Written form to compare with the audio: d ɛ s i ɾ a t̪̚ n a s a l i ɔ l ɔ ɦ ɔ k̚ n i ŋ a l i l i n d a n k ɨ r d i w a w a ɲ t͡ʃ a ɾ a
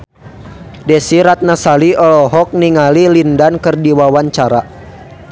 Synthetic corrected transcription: d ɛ s i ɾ a t̪̚ n a s a l i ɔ l ɔ ɦ ɔ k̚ n i ŋ a l i l i n d a n k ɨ r d i w a w a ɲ t͡ʃ a ɾ a